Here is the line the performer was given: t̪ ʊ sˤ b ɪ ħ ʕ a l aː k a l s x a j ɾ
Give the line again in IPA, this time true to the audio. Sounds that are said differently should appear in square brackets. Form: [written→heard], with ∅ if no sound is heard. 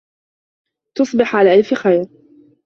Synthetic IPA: t̪ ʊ sˤ b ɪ ħ ʕ a l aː [k→ʔ] a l [s→f] x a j ɾ